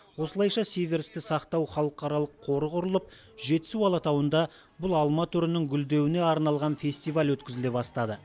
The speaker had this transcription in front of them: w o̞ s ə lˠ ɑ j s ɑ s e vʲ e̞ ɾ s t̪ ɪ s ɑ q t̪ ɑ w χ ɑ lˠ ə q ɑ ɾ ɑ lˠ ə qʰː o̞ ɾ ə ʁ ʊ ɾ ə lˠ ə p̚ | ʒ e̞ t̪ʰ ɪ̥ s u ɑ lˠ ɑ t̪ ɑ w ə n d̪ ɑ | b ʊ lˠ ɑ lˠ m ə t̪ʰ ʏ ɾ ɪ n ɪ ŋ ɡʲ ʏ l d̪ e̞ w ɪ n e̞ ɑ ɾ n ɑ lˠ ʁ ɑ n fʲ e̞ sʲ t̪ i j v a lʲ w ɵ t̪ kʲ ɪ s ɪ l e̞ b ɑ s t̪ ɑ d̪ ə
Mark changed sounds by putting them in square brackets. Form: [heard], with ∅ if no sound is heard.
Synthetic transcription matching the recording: w o̞ s ə lˠ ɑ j [ʃ] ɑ s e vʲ e̞ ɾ s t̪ ɪ s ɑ q t̪ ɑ w χ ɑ lˠ ə q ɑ ɾ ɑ lˠ ə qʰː o̞ ɾ ə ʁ ʊ ɾ ə lˠ ə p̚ | ʒ e̞ [t̪] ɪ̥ s u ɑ lˠ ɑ t̪ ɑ w ə n d̪ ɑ | b ʊ lˠ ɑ lˠ m [ɑ] t̪ʰ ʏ ɾ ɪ n ɪ ŋ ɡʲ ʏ l d̪ e̞ w ɪ n e̞ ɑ ɾ n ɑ lˠ ʁ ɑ n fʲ e̞ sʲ t̪ i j v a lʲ w ɵ t̪ kʲ ɪ [z] ɪ l e̞ b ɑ s t̪ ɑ d̪ ə